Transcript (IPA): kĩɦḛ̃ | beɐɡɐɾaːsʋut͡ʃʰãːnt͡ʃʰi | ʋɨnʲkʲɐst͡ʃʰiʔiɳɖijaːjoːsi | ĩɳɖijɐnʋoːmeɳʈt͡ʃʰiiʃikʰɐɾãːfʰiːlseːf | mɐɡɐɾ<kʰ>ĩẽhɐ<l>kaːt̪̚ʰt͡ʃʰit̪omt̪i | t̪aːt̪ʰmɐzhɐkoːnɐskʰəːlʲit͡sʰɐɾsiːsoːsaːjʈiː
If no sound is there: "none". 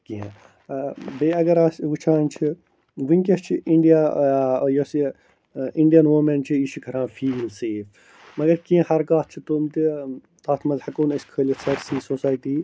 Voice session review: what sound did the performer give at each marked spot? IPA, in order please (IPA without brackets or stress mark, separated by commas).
k, ɾ